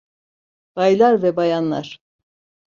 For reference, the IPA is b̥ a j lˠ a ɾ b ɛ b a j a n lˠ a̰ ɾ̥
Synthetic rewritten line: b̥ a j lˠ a ɾ v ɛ b a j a n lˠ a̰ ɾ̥